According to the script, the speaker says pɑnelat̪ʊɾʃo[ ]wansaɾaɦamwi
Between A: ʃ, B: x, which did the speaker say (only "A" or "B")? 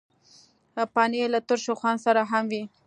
B